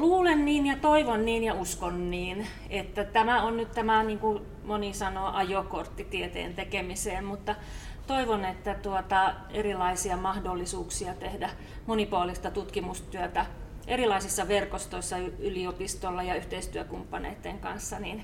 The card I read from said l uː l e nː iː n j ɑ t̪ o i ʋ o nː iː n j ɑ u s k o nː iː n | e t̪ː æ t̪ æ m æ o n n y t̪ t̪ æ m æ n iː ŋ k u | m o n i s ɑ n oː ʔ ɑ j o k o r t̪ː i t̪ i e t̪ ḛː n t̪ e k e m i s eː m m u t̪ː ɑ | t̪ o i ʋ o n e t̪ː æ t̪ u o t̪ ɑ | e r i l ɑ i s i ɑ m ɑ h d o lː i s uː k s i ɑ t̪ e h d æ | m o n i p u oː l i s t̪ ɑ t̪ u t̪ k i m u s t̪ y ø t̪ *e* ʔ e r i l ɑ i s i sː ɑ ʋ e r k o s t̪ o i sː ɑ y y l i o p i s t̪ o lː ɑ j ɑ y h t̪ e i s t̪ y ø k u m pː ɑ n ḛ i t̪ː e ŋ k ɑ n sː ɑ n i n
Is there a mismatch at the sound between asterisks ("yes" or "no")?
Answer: yes